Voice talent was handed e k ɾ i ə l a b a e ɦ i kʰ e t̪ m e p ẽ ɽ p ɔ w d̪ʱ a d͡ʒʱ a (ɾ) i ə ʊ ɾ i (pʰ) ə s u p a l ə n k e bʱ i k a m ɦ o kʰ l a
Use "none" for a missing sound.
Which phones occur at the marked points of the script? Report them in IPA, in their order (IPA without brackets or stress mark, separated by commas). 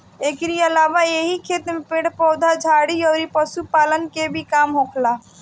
ɽ, p